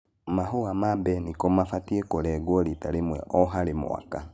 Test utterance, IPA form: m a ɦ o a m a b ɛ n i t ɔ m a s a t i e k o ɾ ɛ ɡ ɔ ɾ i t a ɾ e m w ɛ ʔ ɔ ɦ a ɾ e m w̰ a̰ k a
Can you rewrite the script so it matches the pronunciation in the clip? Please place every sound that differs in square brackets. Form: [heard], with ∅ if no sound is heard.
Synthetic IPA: m a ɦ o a m a b ɛ n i [k] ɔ m a [f] a t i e k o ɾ ɛ ɡ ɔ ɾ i t a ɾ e m w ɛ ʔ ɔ ɦ a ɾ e m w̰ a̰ k a